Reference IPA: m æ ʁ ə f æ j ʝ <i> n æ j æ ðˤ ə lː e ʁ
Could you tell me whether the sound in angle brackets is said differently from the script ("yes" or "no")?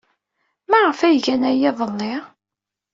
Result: yes